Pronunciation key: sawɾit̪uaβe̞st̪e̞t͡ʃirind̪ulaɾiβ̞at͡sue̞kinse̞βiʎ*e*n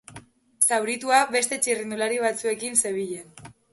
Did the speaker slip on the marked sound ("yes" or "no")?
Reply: no